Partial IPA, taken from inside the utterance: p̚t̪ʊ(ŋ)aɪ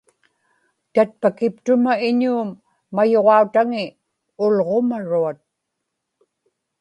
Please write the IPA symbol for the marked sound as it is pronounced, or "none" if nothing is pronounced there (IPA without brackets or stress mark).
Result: m